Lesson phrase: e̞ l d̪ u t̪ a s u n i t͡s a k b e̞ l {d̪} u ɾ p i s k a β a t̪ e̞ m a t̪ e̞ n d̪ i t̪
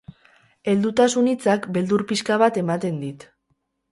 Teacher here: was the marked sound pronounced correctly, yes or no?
yes